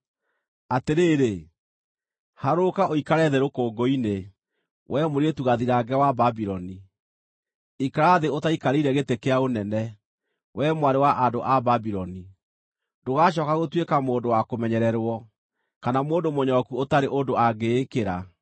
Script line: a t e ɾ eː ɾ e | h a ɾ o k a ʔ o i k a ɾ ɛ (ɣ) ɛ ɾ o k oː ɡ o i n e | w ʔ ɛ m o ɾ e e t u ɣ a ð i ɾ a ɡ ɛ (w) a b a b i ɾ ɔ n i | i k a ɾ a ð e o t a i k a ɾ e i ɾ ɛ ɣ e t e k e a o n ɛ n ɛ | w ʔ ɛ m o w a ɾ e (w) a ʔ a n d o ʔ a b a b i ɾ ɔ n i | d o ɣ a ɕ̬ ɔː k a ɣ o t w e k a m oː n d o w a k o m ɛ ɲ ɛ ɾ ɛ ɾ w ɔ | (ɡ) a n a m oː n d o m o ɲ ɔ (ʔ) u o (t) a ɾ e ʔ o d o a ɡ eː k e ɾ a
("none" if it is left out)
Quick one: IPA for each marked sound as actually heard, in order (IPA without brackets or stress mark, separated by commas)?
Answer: ð, w, w, k, k, t